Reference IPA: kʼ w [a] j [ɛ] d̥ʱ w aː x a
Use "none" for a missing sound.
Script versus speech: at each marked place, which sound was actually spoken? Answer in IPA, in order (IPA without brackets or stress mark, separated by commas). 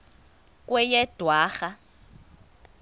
ɛ, ɛ